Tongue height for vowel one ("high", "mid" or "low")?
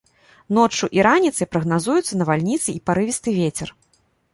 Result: mid